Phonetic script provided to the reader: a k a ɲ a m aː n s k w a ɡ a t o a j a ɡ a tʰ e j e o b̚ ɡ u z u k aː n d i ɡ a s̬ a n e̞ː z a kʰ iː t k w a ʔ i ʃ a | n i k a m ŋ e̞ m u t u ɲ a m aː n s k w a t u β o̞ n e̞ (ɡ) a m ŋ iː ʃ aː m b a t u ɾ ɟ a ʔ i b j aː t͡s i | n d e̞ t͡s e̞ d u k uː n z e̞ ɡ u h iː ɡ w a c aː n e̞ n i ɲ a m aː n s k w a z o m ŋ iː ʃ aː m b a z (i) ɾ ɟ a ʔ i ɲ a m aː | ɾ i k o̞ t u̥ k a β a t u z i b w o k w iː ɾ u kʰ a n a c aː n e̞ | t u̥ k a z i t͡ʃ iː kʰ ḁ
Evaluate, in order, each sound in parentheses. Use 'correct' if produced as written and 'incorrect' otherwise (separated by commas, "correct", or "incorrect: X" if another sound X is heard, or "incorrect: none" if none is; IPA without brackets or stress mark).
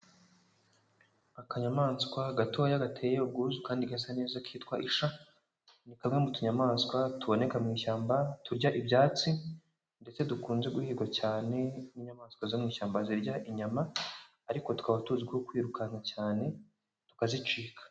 incorrect: k, correct